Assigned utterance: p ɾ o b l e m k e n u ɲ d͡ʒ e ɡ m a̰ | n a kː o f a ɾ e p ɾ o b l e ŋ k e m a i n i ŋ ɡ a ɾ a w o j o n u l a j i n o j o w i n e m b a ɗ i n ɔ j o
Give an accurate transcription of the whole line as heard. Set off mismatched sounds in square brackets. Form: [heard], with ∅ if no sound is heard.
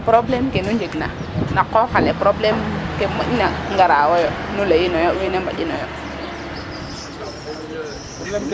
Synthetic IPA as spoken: p ɾ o b l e m k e n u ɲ d͡ʒ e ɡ [n] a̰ | n a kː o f a [l] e p ɾ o b l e [m] k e m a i n [a] ŋ ɡ a ɾ a w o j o n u l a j i n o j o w i n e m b a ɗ i n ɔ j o